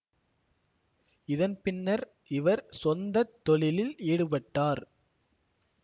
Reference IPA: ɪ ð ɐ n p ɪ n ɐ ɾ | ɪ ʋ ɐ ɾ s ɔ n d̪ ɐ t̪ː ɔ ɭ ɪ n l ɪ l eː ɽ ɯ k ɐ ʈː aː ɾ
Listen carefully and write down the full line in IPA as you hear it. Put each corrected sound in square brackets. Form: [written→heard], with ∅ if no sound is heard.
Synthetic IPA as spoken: ɪ ð ɐ n p ɪ [n→nː] ɐ ɾ | ɪ ʋ ɐ ɾ s ɔ n d̪ ɐ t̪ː ɔ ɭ ɪ [n→∅] l ɪ l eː ɽ ɯ [k→p] ɐ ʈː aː ɾ

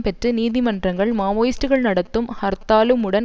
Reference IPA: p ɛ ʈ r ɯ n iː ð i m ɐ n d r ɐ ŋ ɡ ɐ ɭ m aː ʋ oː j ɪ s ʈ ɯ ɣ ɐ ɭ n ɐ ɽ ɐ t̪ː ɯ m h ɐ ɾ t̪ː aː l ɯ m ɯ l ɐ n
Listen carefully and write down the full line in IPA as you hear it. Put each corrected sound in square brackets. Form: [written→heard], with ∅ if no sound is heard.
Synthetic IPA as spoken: p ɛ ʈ r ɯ n iː ð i m ɐ n d r ɐ ŋ ɡ ɐ ɭ m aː ʋ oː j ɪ s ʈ ɯ ɣ ɐ ɭ n ɐ ɽ ɐ t̪ː ɯ m h ɐ ɾ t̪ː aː l ɯ m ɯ [l→ɽ] ɐ n

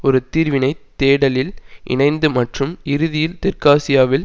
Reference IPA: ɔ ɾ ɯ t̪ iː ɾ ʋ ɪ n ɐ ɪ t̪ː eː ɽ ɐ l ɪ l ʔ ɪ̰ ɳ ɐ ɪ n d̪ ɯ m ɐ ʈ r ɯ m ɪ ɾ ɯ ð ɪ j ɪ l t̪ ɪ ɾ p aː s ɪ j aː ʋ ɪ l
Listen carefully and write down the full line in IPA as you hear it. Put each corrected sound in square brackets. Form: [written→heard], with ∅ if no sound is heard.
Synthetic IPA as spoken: ɔ ɾ ɯ t̪ iː ɾ ʋ ɪ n ɐ ɪ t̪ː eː ɽ ɐ l ɪ l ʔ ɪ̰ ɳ ɐ ɪ n d̪ ɯ m ɐ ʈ r ɯ m ɪ ɾ ɯ ð ɪ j ɪ l t̪ ɪ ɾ [p→k] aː s ɪ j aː ʋ ɪ l

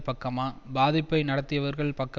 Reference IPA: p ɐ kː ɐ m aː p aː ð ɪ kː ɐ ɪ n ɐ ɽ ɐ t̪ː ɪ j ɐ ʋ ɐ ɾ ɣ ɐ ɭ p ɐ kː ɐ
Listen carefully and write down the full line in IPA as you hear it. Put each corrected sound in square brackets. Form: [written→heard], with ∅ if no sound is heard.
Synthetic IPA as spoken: p ɐ kː ɐ m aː [p→b] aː ð ɪ [kː→pː] ɐ ɪ n ɐ ɽ ɐ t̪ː ɪ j ɐ ʋ ɐ ɾ ɣ ɐ ɭ p ɐ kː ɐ

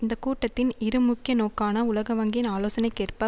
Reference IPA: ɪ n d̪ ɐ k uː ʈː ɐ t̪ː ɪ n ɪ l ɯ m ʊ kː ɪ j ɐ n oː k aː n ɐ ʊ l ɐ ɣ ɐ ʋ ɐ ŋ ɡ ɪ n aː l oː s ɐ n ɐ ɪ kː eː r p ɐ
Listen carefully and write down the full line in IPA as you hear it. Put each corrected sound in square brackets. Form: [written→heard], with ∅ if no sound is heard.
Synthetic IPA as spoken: ɪ n d̪ ɐ k uː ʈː ɐ t̪ː ɪ n ɪ [l→ɾ] ɯ m ʊ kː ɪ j ɐ n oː k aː n ɐ ʊ l ɐ ɣ ɐ ʋ ɐ ŋ ɡ ɪ n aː l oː s ɐ n ɐ ɪ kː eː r p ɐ

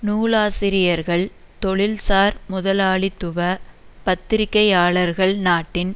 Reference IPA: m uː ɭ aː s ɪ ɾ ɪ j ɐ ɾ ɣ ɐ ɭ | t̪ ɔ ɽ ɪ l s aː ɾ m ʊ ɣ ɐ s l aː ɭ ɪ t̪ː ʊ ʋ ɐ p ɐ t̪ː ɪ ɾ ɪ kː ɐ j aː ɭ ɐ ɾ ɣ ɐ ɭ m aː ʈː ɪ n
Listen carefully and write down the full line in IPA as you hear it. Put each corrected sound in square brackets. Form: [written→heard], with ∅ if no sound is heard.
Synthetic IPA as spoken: [m→n] uː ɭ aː s ɪ ɾ ɪ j ɐ ɾ ɣ ɐ ɭ | t̪ ɔ [ɽ→ɭ] ɪ l s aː ɾ m ʊ [ɣ→ð] ɐ [s→∅] l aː ɭ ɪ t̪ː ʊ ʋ ɐ p ɐ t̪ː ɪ ɾ ɪ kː ɐ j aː ɭ ɐ ɾ ɣ ɐ ɭ [m→n] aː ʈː ɪ n

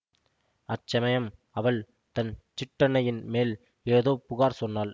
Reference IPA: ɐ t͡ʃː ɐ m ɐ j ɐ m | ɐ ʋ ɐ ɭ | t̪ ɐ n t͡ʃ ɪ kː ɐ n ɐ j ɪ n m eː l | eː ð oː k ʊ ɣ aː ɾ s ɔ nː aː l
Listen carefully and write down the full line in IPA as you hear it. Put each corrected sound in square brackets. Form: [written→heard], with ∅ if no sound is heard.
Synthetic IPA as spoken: ɐ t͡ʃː ɐ m ɐ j ɐ m | ɐ ʋ ɐ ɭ | t̪ ɐ n t͡ʃ ɪ [kː→ʈː] ɐ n ɐ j ɪ n m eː l | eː ð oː [k→p] ʊ ɣ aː ɾ s ɔ nː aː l

